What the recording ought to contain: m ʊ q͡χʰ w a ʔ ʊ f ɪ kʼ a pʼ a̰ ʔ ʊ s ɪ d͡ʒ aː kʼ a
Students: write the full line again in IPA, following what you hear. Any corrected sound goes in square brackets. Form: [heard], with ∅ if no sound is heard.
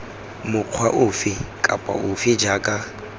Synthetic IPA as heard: m ʊ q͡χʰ w a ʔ ʊ f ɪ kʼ a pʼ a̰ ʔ ʊ [f] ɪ d͡ʒ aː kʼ a